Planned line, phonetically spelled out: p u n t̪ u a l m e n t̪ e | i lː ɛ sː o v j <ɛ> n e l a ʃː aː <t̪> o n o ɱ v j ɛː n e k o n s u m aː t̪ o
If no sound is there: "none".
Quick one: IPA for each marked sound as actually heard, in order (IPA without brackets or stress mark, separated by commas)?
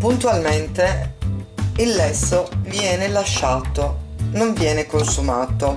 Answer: ɛː, t̪